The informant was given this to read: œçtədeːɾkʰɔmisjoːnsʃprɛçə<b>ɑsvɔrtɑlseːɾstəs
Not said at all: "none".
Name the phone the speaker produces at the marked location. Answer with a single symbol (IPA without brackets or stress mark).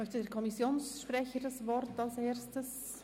d